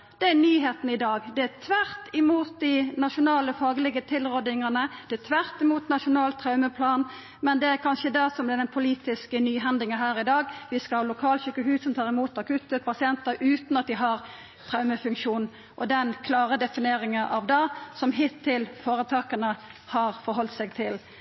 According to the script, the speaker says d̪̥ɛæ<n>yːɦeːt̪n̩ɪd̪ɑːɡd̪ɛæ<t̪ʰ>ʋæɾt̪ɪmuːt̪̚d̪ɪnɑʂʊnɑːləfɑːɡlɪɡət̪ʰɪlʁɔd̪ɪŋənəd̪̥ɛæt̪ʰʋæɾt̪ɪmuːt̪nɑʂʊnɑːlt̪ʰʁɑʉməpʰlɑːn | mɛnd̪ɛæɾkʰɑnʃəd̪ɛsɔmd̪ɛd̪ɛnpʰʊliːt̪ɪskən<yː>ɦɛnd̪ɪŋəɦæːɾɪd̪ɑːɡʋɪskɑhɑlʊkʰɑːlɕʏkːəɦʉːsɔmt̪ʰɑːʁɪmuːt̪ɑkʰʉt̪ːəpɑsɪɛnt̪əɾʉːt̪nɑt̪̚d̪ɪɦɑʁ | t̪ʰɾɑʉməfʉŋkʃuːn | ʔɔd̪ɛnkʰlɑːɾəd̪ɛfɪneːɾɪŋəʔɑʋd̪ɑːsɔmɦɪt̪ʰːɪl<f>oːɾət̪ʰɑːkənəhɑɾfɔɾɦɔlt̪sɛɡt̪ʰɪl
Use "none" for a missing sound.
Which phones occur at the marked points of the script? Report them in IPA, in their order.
n, t̪ʰ, yː, f

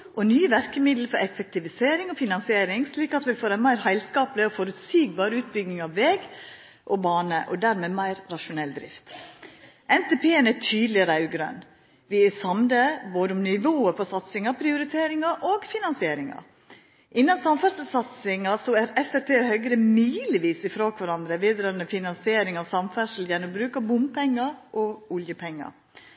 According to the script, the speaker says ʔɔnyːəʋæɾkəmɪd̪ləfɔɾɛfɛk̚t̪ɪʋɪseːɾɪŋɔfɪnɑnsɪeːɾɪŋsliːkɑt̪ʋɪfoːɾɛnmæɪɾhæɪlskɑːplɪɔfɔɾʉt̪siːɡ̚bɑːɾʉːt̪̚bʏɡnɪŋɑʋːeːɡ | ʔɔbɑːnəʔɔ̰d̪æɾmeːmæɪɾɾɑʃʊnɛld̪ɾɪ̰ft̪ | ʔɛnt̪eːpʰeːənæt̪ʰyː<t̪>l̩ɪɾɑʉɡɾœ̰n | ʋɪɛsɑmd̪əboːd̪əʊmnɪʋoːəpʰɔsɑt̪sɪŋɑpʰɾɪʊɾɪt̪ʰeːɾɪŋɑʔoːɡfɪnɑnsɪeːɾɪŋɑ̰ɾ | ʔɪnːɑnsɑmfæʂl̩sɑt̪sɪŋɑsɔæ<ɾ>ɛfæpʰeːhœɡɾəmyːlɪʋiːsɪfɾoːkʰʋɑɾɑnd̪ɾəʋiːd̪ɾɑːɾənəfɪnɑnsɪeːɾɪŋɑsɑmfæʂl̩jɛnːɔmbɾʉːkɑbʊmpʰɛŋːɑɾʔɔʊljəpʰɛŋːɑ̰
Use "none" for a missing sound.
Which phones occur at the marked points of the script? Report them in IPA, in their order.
d̪, ɾ

